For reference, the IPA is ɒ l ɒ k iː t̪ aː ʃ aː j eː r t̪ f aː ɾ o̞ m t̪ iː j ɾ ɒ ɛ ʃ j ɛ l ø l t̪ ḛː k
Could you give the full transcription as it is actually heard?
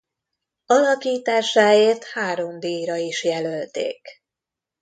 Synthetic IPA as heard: ɒ l ɒ k iː t̪ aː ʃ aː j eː r t̪ h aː ɾ o̞ m d̪ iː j ɾ ɒ i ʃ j ɛ l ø l t̪ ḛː k